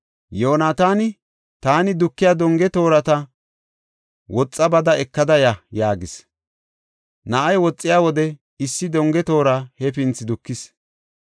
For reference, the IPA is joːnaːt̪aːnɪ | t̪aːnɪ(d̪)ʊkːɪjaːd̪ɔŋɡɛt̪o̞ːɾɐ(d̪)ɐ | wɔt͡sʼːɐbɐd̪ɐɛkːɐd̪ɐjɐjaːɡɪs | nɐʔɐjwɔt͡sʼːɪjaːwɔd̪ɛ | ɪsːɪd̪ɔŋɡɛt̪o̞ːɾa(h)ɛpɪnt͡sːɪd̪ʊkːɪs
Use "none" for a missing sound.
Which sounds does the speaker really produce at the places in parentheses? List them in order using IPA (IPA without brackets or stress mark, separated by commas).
d̪, t̪, h